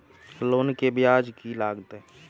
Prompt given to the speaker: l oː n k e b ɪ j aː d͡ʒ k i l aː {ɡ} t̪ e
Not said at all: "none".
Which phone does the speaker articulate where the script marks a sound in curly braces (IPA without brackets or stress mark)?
ɡ